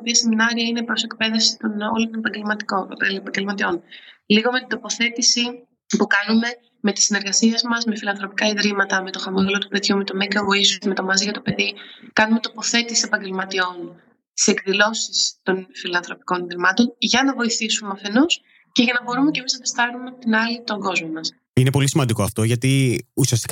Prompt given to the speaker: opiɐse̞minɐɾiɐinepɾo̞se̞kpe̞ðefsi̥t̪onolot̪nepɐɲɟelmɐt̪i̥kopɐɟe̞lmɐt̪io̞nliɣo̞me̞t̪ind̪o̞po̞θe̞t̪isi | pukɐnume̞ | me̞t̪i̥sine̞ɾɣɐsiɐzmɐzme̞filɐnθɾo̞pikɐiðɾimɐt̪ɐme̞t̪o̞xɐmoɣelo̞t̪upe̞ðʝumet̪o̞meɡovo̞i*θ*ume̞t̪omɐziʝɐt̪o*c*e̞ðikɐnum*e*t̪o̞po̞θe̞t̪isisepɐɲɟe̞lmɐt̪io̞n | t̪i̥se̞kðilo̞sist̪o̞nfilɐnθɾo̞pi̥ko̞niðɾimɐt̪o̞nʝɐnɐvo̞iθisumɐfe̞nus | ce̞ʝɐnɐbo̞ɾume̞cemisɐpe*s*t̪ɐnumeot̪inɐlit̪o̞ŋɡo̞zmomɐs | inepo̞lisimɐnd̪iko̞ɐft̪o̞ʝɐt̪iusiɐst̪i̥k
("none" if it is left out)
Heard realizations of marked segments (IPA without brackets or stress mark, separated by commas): s, p, e, s